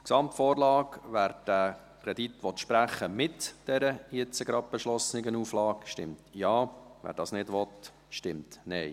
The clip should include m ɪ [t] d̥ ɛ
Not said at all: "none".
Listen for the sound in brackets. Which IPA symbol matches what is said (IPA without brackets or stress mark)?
t